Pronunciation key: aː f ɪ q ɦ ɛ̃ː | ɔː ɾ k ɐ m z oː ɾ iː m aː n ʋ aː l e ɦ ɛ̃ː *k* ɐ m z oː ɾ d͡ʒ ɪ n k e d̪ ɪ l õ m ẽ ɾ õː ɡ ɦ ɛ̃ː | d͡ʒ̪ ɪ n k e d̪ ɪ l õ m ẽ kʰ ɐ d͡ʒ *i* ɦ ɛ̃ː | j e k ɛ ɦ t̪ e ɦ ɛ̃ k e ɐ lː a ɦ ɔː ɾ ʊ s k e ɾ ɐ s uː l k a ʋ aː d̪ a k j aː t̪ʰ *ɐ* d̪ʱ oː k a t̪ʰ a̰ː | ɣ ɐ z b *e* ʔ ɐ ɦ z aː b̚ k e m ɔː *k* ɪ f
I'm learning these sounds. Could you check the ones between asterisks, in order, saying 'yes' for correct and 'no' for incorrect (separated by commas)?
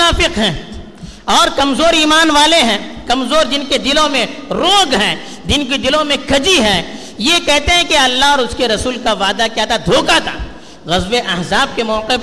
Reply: yes, yes, no, yes, no